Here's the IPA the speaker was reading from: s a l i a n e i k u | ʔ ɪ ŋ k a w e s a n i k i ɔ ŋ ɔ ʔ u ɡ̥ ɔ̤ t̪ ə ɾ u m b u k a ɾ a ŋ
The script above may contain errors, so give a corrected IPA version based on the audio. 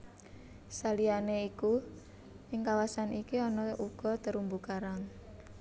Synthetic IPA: s a l i a n e i k u | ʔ ɪ ŋ k a w a s a n i k i ɔ n ɔ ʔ u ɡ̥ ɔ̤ t̪ ə ɾ u m b u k a ɾ a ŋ